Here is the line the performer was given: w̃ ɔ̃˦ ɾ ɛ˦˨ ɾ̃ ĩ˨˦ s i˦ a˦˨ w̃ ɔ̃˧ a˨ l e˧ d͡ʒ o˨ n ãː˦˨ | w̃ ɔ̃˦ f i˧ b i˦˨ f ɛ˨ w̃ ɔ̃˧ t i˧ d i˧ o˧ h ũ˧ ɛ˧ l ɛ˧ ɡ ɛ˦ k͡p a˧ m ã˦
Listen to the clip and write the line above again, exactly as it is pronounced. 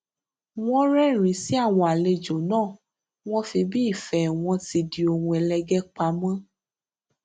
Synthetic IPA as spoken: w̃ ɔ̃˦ ɾ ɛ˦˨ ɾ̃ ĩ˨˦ s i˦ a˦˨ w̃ ɔ̃˧ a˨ l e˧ d͡ʒ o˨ n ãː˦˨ | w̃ ɔ̃˦ f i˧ b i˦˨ f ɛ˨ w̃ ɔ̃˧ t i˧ d i˧ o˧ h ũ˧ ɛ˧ l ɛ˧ ɡ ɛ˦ k͡p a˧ m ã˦

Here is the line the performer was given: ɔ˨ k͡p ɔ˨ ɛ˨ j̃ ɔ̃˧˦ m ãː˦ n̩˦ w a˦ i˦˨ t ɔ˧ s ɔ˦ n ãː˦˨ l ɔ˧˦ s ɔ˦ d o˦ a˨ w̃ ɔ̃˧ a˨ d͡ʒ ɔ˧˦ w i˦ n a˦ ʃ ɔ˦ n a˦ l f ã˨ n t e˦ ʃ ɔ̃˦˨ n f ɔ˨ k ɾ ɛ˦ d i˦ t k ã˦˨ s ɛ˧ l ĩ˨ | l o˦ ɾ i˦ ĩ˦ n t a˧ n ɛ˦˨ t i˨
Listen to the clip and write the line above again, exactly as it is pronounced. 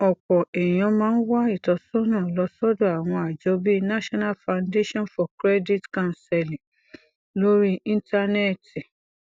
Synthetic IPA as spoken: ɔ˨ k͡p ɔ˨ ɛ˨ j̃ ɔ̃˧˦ m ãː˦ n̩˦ w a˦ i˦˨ t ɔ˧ s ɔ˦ n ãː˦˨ l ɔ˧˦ s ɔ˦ d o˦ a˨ w̃ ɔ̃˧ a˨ d͡ʒ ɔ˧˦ b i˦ n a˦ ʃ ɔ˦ n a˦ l f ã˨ n d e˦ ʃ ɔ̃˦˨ n f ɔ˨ k ɾ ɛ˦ d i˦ t k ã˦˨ s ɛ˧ l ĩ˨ | l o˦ ɾ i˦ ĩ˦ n t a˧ n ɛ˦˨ t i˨

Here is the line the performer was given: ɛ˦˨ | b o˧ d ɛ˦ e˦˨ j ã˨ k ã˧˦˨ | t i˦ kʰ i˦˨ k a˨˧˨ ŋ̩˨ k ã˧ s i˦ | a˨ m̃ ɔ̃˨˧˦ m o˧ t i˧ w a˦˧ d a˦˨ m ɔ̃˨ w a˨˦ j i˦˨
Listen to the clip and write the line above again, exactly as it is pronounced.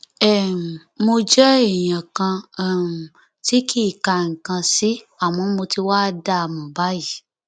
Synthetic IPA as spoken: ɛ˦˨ | m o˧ d͡ʒ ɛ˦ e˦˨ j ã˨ k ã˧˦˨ | t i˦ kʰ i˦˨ k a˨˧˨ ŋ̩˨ k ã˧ s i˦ | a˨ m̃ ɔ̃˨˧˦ m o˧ t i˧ w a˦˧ d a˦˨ m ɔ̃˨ b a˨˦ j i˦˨

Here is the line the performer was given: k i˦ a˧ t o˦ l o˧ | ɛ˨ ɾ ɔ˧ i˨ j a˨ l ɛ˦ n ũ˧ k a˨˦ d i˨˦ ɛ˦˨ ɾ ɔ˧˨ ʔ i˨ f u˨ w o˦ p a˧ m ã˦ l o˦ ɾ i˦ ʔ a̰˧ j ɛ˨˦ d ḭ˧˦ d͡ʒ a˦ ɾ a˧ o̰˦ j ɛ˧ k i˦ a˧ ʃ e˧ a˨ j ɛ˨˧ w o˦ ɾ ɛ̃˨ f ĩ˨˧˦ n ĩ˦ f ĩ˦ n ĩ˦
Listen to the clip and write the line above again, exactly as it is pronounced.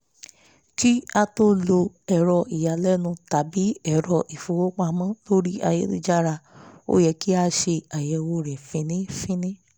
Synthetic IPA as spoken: k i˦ a˧ t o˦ l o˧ | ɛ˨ ɾ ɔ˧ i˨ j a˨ l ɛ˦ n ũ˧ t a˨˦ b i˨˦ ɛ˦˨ ɾ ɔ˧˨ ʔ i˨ f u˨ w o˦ k͡p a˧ m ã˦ l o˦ ɾ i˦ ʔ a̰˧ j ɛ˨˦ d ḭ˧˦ d͡ʒ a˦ ɾ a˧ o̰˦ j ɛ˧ k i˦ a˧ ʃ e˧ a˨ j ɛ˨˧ w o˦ ɾ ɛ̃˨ f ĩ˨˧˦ n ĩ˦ f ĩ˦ n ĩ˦

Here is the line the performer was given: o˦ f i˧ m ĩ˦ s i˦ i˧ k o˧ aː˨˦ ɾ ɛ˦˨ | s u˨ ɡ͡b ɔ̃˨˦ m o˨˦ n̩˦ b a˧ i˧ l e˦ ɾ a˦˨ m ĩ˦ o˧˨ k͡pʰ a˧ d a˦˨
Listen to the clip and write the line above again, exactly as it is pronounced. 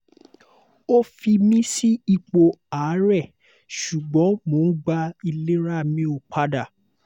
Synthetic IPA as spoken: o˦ f i˧ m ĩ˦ s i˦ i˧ k͡p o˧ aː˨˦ ɾ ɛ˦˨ | ʃ u˨ ɡ͡b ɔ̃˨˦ m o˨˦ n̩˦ ɡ͡b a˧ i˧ l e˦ ɾ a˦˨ m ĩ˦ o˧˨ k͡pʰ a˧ d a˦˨

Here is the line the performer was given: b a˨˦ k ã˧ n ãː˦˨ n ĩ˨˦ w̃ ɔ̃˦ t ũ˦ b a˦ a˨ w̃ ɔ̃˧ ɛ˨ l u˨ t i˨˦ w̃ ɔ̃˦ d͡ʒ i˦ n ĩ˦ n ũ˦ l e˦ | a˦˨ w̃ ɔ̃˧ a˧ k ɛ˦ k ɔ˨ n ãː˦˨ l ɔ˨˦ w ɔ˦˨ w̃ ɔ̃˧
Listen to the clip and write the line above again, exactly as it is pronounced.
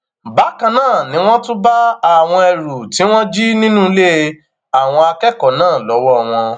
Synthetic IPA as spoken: b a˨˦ k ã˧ n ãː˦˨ n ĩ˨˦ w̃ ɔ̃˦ t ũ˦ b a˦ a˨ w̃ ɔ̃˧ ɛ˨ ɾ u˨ t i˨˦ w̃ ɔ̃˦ d͡ʒ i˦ n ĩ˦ n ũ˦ l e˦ | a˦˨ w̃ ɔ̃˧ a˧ k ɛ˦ k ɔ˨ n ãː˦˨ l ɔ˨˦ w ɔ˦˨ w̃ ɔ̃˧

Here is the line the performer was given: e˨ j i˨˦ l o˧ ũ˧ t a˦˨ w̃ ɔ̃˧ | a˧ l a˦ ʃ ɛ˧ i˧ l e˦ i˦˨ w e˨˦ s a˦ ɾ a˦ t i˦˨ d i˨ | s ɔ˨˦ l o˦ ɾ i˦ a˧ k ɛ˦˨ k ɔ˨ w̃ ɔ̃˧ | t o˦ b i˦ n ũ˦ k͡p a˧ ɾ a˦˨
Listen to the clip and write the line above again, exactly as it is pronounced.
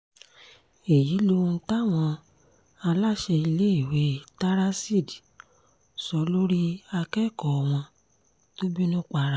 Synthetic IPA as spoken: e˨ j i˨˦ l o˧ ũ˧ t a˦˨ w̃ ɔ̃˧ | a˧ l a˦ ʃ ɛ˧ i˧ l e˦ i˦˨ w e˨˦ t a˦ ɾ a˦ s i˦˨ d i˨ | s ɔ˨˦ l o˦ ɾ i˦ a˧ k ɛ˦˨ k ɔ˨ w̃ ɔ̃˧ | t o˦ b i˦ n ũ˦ k͡p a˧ ɾ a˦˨

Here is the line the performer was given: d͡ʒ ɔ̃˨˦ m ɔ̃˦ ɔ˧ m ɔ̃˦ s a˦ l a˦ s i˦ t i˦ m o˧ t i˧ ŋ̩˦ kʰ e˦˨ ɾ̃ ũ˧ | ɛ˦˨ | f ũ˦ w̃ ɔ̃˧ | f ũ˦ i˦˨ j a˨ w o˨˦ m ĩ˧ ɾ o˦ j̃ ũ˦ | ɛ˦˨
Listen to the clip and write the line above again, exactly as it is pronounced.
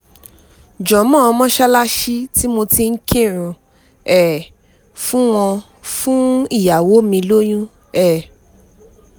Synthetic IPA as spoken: d͡ʒ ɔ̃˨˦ m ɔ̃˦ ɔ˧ m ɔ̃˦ ʃ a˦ l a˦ ʃ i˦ t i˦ m o˧ t i˧ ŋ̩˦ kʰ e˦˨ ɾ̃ ũ˧ | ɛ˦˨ | f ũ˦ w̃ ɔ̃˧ | f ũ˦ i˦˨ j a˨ w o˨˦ m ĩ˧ l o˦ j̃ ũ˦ | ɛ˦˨

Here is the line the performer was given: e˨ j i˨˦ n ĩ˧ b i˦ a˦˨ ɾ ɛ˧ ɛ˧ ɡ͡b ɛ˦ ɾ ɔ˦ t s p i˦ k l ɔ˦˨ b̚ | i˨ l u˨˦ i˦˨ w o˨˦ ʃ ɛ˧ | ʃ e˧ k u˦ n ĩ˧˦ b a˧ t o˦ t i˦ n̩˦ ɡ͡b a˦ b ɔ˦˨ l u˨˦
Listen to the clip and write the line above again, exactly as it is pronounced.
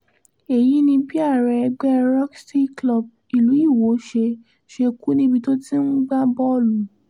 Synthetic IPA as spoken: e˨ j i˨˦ n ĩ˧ b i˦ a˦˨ ɾ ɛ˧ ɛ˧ ɡ͡b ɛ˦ ɾ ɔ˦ k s t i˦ k l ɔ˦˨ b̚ | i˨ l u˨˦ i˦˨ w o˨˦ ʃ e˧ | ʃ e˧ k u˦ n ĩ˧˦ b i˧ t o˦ t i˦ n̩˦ ɡ͡b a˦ b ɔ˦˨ l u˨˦

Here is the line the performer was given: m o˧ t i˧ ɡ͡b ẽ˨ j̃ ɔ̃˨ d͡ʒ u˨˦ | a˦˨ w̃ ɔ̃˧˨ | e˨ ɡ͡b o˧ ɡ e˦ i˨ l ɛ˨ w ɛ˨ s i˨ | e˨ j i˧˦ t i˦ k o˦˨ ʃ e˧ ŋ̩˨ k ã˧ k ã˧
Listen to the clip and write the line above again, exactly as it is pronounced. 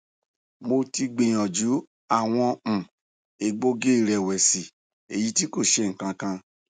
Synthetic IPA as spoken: m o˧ t i˧ ɡ͡b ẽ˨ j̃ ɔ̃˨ d͡ʒ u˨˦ | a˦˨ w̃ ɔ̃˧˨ | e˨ ɡ͡b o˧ ɡ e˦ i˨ ɾ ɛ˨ w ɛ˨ s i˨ | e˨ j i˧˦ t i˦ k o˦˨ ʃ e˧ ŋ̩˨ k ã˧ k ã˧

